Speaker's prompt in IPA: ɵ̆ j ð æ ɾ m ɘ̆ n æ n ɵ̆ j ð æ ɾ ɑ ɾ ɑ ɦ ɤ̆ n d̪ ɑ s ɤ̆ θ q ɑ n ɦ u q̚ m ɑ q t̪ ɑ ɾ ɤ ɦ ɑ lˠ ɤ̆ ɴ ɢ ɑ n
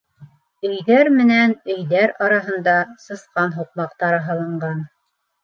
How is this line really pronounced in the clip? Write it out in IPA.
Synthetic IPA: ɵ̆ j ð æ ɾ m ɘ̆ n æ n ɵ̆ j ð æ ɾ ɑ ɾ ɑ ɦ ɤ̆ n d̪ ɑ s ɤ̆ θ q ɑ n ɦ u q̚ m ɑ q t̪ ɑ ɾ ɤ ɦ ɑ lˠ ɤ̆ ɴ ɢ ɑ n